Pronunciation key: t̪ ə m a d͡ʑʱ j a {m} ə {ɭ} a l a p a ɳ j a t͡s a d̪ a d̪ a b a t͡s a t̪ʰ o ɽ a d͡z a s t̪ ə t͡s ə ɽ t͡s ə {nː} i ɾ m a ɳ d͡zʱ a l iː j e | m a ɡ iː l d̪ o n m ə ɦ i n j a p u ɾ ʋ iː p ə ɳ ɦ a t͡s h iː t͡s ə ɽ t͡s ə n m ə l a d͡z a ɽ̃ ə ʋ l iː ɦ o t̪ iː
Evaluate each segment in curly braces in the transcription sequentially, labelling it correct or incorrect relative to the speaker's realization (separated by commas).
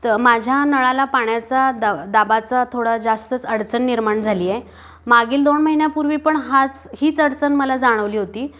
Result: incorrect, correct, correct